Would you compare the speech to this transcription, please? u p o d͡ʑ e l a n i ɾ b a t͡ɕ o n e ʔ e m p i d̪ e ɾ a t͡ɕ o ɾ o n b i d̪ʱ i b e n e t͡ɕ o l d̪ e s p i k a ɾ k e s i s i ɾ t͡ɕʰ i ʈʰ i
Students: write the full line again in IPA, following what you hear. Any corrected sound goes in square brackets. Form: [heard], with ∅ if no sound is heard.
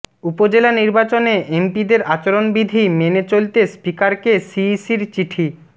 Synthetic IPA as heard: u p o d͡ʑ e l a n i ɾ b a t͡ɕ o n e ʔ e m p i d̪ e ɾ a t͡ɕ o ɾ o n b i d̪ʱ i [m] e n e t͡ɕ o l [t̪] e s p i k a ɾ k e s i s i ɾ [t͡ɕ] i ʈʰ i